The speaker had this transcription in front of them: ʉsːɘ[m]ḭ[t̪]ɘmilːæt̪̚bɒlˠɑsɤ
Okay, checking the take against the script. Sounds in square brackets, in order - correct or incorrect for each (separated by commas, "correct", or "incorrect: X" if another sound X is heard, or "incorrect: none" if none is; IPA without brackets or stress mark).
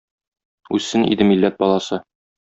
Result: incorrect: n, incorrect: d̪